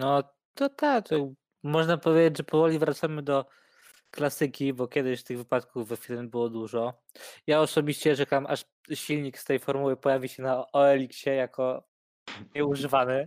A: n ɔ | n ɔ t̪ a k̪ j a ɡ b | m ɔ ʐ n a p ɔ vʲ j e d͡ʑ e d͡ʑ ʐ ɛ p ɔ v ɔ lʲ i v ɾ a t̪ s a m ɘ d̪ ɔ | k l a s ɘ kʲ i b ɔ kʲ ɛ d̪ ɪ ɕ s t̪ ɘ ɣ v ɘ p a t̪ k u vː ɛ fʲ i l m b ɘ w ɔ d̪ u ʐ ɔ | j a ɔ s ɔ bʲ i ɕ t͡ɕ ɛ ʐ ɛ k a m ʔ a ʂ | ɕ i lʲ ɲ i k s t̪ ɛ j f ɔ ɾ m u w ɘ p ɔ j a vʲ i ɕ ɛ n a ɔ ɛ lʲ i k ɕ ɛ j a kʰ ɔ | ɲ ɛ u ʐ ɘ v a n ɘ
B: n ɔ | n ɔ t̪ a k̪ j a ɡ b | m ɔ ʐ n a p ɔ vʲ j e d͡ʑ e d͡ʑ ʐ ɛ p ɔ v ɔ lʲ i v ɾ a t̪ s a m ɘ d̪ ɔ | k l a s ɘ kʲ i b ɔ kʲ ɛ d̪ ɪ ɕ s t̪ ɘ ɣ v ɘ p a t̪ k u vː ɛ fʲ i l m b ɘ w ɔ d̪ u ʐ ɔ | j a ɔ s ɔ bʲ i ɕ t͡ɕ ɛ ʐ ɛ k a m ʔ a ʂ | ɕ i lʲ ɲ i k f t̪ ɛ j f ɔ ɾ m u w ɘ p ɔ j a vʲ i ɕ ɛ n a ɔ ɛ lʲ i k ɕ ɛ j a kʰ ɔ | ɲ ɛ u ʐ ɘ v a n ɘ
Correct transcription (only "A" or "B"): A